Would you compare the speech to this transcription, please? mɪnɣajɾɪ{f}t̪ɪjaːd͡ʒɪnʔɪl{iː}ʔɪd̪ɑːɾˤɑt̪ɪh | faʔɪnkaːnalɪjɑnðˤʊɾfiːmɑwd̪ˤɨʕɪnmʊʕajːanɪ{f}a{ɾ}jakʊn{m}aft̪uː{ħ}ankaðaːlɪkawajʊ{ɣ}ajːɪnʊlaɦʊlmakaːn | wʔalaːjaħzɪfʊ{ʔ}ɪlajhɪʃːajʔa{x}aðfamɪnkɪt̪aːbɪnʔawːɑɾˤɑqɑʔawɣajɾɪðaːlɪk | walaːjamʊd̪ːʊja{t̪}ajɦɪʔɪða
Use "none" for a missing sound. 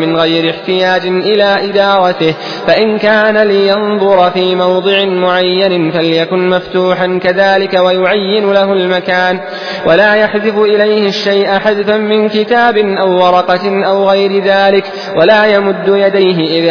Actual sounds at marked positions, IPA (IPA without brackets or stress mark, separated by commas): ħ, aː, f, l, m, ħ, ʕ, ʔ, ħ, d̪